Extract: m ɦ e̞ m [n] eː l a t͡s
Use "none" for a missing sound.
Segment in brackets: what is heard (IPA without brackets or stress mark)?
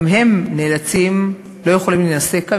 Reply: n